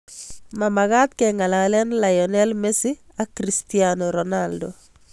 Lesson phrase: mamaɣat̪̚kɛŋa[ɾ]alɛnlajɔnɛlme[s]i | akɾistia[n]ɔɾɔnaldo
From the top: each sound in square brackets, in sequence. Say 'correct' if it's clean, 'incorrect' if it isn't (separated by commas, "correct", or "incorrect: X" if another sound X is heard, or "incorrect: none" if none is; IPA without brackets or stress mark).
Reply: incorrect: l, correct, correct